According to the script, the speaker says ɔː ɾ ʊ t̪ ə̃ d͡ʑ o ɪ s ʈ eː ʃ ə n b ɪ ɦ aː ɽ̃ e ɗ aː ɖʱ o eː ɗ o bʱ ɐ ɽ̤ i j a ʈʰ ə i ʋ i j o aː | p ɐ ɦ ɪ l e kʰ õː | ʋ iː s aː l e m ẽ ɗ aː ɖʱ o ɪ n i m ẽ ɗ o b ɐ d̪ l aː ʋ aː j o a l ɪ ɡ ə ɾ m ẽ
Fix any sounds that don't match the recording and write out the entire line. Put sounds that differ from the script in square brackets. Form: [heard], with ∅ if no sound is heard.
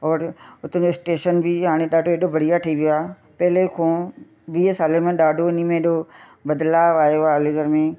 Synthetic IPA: ɔː ɾ ʊ t̪ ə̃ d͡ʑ o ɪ s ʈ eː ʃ ə n b ɪ ɦ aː ɽ̃ e ɗ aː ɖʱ o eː ɗ o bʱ ɐ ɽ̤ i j a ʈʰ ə i ʋ i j o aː | p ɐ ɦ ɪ l e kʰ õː | ʋ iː s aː l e m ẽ ɗ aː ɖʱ o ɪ n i m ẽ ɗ o b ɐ d̪ l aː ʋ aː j o a l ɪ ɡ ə ɾ m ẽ

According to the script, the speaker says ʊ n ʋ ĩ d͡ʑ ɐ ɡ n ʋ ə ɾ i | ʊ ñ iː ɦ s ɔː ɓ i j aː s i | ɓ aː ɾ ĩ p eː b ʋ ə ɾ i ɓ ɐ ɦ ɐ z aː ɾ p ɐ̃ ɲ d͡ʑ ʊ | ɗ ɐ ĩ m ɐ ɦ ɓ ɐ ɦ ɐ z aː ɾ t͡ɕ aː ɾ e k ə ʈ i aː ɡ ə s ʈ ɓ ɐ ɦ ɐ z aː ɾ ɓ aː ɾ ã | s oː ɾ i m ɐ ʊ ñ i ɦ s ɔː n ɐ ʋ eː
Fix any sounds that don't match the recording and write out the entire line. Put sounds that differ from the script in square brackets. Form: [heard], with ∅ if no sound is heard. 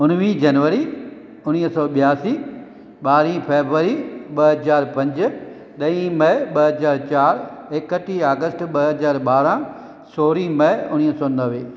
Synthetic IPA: ʊ n ʋ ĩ d͡ʑ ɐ [∅] n ʋ ə ɾ i | ʊ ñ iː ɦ s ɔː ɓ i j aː s i | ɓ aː ɾ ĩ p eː b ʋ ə ɾ i ɓ ɐ ɦ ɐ z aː ɾ p ɐ̃ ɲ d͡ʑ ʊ | ɗ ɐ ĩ m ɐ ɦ ɓ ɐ ɦ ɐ z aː ɾ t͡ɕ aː ɾ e k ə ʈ i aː ɡ ə s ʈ ɓ ɐ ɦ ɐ z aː ɾ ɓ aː ɾ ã | s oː ɾ i m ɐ ʊ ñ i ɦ s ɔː n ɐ ʋ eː

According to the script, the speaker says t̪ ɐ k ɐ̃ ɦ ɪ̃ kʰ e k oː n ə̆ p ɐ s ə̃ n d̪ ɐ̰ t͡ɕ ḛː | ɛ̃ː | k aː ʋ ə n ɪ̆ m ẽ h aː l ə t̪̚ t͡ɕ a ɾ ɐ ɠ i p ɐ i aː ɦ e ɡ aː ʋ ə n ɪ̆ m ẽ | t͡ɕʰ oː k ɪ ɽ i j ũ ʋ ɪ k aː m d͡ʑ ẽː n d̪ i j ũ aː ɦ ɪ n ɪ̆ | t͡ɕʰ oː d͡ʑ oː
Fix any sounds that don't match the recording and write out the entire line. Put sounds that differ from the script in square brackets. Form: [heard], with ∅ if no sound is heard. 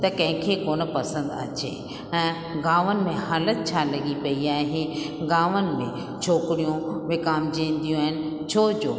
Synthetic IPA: t̪ ɐ k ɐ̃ ɦ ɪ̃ kʰ e k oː n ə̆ p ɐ s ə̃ n d̪ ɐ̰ t͡ɕ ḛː | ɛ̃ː | [ɡ] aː ʋ ə n ɪ̆ m ẽ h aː l ə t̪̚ [t͡ɕʰ] a [l] ɐ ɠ i p ɐ i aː ɦ e ɡ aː ʋ ə n ɪ̆ m ẽ | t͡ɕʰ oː k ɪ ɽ i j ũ ʋ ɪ k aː m d͡ʑ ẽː n d̪ i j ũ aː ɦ ɪ n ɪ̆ | t͡ɕʰ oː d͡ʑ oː

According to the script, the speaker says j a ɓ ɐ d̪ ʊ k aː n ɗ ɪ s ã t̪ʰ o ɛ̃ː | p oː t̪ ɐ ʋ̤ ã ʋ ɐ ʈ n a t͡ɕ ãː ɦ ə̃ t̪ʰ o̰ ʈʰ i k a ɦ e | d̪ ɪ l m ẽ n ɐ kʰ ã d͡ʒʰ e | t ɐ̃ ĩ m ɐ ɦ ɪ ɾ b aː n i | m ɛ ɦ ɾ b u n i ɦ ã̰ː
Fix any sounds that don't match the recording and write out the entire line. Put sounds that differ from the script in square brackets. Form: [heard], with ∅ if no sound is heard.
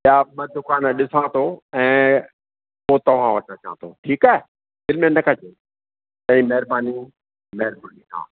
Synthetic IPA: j a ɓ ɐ d̪ ʊ k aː n ɗ ɪ s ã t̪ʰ o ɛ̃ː | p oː t̪ ɐ ʋ̤ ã ʋ ɐ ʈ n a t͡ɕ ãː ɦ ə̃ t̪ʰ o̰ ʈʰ [iː] k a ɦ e | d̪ ɪ l m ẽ n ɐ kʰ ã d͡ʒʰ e | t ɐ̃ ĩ m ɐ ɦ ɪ ɾ b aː n i | m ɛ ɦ ɾ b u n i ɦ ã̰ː

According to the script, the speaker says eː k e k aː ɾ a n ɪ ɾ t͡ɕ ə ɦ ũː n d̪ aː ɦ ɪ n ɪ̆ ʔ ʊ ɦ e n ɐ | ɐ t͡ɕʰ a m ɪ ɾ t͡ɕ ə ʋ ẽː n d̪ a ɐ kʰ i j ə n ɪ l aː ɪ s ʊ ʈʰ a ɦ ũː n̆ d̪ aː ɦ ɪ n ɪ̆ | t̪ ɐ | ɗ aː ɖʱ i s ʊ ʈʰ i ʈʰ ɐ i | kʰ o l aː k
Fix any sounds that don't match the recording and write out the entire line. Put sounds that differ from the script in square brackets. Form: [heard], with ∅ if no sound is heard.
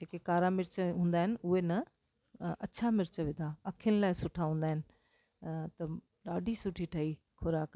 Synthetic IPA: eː k e k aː ɾ a [m] ɪ ɾ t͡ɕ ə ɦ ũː n d̪ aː ɦ ɪ n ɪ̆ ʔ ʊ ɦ e n ɐ | ɐ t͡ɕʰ a m ɪ ɾ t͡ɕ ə ʋ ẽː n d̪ a ɐ kʰ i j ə n ɪ l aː ɪ s ʊ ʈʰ a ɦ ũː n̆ d̪ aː ɦ ɪ n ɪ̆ | t̪ ɐ | ɗ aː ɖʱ i s ʊ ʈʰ i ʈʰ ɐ i | kʰ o [ɾ] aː k

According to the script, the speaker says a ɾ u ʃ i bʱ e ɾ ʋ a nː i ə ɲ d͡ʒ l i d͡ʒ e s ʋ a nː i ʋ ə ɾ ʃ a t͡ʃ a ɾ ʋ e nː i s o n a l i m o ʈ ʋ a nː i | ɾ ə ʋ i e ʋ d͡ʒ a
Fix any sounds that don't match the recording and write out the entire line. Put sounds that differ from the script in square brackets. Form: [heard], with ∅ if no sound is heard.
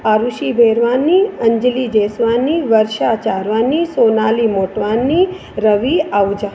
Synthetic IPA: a ɾ u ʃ i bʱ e ɾ ʋ a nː i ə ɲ d͡ʒ l i d͡ʒ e s ʋ a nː i ʋ ə ɾ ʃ a t͡ʃ a ɾ ʋ [a] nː i s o n a l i m o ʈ ʋ a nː i | ɾ ə ʋ i [a] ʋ d͡ʒ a

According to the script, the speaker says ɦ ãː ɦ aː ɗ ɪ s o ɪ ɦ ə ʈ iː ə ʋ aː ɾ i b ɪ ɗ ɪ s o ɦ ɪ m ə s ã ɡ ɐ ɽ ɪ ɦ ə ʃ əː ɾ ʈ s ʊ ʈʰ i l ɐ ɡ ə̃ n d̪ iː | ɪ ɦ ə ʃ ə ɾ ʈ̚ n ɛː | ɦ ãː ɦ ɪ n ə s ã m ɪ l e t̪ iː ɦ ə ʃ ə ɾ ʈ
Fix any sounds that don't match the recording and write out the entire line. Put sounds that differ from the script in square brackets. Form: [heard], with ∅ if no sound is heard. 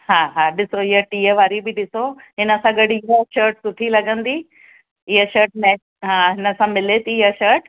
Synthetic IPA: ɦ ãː ɦ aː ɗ ɪ s o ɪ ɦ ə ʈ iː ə ʋ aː ɾ i b ɪ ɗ ɪ s o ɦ ɪ [n] ə s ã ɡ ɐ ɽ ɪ ɦ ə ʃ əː ɾ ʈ s ʊ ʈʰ i l ɐ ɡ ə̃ n d̪ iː | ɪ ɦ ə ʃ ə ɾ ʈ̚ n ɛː | ɦ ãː ɦ ɪ n ə s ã m ɪ l e t̪ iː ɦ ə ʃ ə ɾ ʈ

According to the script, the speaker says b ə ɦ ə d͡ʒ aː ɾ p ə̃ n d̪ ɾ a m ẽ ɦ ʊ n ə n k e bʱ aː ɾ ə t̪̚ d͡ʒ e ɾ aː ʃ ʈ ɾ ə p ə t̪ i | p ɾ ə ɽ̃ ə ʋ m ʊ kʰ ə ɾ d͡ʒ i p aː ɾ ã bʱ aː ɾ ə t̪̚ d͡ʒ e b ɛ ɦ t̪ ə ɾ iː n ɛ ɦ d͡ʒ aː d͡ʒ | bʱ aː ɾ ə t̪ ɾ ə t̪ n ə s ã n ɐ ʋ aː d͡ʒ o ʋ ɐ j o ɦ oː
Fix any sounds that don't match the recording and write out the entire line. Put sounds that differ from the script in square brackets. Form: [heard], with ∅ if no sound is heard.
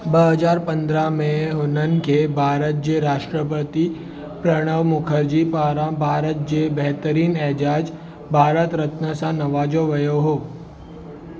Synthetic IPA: b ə ɦ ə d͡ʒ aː ɾ p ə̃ n d̪ ɾ a m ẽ ɦ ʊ n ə n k e bʱ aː ɾ ə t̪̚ d͡ʒ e ɾ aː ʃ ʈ ɾ ə p ə t̪ i | p ɾ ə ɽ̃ ə ʋ m ʊ kʰ ə ɾ d͡ʒ i p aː ɾ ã bʱ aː ɾ ə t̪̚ d͡ʒ e b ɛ ɦ t̪ ə ɾ iː n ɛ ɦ d͡ʒ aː d͡ʒ | bʱ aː ɾ ə t̪ ɾ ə t̪ n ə s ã n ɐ ʋ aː d͡ʒ o ʋ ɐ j o ɦ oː

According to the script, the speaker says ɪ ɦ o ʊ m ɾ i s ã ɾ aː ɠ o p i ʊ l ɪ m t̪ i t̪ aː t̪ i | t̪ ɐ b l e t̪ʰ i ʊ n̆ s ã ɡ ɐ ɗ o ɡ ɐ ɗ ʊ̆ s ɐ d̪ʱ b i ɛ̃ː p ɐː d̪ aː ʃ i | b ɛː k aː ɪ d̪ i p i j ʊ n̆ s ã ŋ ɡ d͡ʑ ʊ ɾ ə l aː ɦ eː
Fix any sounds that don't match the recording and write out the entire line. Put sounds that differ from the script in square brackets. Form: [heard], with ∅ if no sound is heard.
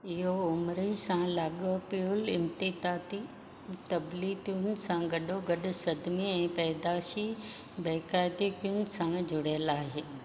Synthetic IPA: ɪ ɦ o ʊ m ɾ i s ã [l] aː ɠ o p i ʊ l ɪ m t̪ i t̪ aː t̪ i | t̪ ɐ b l [i] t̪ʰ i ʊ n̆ s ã ɡ ɐ ɗ o ɡ ɐ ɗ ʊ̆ s ɐ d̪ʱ [m] i ɛ̃ː p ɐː d̪ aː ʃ i | b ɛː k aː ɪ d̪ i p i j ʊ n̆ s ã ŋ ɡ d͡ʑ ʊ [ɽ] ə l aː ɦ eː

